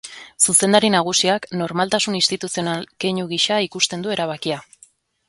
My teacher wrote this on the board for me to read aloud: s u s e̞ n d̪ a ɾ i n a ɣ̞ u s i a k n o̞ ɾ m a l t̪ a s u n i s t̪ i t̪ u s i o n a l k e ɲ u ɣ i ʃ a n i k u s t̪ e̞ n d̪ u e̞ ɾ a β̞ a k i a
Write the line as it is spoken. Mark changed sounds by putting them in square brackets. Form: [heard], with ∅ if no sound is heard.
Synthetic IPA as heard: s u s e̞ n d̪ a ɾ i n a ɣ̞ u s i a k n o̞ ɾ m a l t̪ a s u n i s t̪ i t̪ u s i o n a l k e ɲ u ɣ i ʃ a [∅] i k u s t̪ e̞ n d̪ u e̞ ɾ a β̞ a k i a